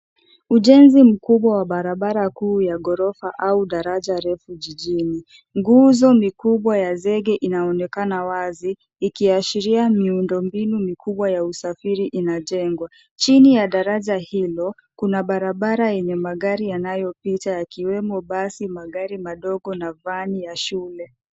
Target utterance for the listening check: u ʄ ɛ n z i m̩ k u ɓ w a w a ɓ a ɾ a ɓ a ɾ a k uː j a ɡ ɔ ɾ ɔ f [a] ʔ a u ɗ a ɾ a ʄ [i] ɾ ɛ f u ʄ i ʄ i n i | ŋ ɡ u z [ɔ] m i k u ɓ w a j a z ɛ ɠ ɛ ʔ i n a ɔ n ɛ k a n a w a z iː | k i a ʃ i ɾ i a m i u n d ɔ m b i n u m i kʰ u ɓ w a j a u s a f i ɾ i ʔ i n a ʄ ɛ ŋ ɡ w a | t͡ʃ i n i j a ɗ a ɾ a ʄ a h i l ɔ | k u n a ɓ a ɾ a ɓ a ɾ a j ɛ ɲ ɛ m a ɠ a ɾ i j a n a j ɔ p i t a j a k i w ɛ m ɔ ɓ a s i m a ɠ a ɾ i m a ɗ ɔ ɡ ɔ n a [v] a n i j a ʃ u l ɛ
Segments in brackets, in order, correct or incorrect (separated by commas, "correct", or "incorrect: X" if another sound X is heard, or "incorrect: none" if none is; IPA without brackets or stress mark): correct, incorrect: a, correct, correct